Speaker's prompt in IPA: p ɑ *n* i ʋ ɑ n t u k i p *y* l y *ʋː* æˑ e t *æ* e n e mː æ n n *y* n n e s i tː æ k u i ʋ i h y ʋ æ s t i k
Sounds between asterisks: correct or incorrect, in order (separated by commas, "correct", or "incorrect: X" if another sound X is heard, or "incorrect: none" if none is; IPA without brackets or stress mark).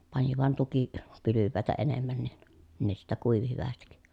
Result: correct, correct, correct, correct, incorrect: i